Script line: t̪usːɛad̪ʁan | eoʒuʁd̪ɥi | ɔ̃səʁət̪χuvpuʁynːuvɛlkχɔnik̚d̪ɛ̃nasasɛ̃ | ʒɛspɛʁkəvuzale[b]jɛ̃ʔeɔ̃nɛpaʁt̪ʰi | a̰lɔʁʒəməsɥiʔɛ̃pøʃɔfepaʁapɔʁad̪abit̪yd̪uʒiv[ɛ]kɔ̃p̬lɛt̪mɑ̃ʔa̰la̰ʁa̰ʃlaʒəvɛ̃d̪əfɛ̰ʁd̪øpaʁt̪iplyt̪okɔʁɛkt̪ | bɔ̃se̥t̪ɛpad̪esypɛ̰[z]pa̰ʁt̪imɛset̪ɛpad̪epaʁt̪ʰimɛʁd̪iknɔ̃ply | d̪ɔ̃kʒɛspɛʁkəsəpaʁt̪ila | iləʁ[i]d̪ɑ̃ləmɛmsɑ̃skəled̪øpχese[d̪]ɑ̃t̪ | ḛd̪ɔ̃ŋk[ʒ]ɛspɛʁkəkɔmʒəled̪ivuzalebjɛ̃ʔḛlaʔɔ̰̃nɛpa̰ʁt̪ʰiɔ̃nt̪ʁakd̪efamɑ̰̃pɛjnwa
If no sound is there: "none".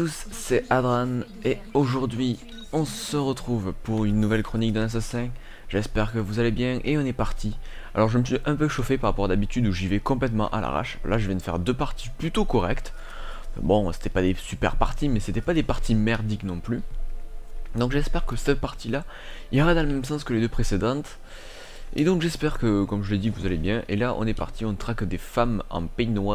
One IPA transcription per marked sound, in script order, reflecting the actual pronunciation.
b, ɛ, ʁ, a, d̪, ʒ

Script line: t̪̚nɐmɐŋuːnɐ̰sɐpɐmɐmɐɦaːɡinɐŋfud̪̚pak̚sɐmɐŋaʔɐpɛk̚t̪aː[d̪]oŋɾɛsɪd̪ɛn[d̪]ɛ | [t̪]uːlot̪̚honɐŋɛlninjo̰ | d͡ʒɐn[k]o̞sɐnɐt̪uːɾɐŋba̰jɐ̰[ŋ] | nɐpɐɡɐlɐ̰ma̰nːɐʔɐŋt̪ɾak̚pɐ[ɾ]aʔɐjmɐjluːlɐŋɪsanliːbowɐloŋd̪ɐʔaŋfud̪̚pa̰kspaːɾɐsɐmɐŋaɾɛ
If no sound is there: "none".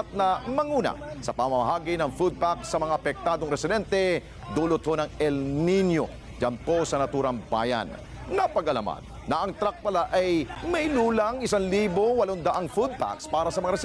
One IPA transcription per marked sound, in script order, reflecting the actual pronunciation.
d̪, t̪, d̪, p, n, l

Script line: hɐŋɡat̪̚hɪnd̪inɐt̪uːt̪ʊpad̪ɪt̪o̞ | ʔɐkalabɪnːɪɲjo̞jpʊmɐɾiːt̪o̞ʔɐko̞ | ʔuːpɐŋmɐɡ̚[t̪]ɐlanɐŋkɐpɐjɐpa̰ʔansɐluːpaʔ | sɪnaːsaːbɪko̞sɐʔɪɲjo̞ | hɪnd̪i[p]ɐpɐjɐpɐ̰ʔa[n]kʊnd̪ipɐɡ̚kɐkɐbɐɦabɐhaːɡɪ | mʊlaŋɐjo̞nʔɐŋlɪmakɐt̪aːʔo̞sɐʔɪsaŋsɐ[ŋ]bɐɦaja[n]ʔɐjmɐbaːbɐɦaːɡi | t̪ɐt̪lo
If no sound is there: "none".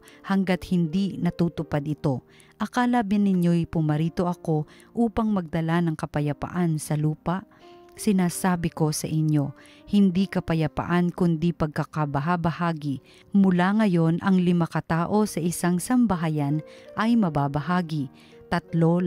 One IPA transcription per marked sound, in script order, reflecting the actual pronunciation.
d̪, k, n, m, n

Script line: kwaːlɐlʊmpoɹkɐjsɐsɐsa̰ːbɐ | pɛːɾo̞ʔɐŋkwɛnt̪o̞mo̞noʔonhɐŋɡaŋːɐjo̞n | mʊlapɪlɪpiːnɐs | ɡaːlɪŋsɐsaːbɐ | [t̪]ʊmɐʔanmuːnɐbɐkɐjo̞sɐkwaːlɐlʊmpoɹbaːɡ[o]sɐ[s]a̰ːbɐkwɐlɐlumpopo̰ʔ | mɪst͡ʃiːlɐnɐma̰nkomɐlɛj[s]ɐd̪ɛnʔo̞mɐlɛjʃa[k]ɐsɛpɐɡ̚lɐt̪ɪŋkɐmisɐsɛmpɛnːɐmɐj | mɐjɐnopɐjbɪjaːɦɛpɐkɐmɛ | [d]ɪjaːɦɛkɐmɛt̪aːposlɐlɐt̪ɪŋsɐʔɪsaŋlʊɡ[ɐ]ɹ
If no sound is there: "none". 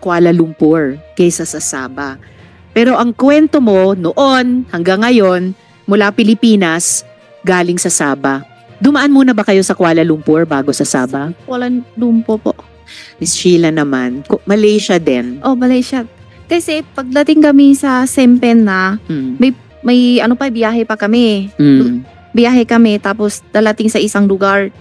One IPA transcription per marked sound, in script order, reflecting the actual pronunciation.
d̪, o, s, ʃ, k, b, a

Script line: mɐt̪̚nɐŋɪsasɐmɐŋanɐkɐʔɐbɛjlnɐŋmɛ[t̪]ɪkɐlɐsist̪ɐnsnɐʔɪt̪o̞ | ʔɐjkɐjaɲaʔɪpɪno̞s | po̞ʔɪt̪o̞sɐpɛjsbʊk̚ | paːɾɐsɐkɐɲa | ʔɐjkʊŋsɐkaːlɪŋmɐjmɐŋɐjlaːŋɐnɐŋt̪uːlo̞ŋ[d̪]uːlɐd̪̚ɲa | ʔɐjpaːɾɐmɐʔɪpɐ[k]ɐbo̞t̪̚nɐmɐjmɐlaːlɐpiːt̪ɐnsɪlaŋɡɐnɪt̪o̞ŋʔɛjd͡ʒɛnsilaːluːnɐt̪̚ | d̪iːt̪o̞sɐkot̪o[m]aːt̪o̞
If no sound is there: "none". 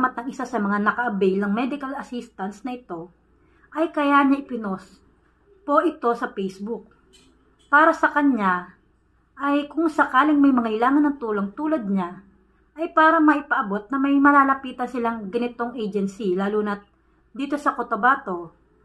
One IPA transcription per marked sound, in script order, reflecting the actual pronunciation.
d̪, t̪, ʔ, b

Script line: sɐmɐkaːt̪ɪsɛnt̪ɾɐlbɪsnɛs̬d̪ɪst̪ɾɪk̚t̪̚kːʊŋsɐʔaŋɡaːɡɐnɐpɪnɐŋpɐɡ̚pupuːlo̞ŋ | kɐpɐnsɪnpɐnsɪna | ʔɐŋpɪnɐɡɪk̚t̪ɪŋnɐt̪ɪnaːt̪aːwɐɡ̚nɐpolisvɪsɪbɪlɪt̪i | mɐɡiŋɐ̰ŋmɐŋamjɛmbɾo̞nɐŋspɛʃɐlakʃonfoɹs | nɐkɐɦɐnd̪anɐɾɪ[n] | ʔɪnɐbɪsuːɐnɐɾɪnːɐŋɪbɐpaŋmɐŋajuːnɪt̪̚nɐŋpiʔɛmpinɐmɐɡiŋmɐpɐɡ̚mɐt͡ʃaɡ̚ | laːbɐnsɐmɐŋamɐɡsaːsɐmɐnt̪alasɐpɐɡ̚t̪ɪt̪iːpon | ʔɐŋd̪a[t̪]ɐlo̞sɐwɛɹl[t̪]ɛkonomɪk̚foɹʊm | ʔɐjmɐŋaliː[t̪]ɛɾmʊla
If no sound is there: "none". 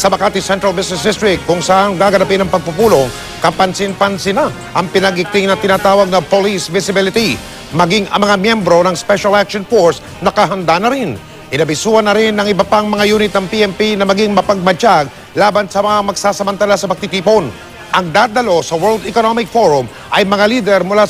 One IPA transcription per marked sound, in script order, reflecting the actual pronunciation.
n, d̪, d̪, d̪

